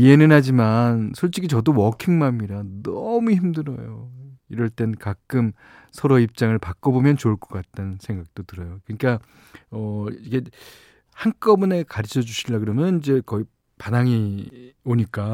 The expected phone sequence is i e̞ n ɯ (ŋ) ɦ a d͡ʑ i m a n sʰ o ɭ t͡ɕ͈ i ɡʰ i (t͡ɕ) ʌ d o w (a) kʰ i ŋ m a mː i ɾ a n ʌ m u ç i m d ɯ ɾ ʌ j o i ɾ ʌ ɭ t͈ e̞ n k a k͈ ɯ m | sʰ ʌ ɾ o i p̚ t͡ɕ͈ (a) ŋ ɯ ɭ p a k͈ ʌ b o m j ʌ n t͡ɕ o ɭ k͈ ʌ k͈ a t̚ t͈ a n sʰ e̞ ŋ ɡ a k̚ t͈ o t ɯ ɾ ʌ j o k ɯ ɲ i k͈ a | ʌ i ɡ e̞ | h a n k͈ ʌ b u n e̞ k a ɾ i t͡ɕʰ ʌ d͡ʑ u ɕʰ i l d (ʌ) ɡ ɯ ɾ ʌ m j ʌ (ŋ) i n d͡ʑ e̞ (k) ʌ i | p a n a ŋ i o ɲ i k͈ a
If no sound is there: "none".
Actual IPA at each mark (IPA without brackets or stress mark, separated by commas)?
n, t͡ɕ, ʌ, a, a, n, k